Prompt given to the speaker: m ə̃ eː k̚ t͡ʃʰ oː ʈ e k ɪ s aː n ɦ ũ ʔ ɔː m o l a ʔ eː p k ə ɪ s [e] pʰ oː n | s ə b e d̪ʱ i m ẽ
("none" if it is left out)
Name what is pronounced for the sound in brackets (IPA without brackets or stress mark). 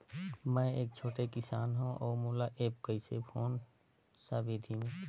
e